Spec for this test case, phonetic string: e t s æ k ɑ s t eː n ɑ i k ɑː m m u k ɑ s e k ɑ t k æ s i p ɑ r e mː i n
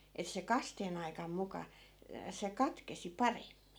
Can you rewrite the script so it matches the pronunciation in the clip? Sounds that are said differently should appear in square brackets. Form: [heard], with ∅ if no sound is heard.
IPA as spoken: e t s [e] k ɑ s t eː n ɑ i k [ɑ] m m u k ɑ s e k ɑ t k [e] s i p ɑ r e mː i n